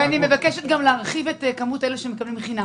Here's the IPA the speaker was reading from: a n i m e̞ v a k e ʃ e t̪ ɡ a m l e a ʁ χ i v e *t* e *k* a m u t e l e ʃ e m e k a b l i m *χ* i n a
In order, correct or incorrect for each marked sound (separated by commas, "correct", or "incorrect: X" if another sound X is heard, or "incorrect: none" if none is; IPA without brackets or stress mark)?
correct, correct, correct